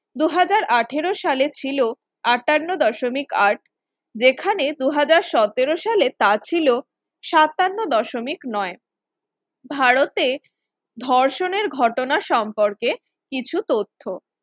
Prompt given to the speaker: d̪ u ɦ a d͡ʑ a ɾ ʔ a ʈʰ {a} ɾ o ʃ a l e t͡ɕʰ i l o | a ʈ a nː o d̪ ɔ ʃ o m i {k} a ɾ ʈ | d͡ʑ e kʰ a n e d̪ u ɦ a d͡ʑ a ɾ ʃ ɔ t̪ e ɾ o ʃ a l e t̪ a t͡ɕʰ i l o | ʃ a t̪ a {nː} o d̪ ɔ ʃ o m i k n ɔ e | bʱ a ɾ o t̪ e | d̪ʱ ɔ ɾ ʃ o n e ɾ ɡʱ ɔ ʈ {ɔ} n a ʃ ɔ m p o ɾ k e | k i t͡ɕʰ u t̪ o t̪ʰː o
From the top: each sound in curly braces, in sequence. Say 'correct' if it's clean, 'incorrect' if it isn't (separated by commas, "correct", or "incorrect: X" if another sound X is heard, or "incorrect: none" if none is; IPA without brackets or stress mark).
incorrect: e, correct, correct, incorrect: o